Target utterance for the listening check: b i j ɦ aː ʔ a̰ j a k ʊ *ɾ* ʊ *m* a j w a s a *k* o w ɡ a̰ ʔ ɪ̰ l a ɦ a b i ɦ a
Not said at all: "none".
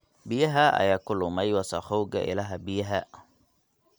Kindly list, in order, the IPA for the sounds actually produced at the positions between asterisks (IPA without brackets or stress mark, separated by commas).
l, m, x